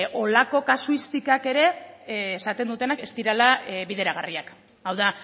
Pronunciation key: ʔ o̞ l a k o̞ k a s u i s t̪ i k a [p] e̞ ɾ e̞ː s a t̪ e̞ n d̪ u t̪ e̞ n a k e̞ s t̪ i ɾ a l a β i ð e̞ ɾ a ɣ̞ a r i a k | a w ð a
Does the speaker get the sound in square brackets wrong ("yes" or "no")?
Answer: yes